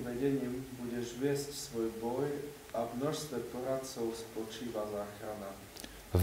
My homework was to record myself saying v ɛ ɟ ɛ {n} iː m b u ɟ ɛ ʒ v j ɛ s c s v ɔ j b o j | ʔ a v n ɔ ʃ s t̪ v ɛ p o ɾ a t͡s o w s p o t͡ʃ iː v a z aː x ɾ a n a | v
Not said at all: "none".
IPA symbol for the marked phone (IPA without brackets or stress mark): ɲ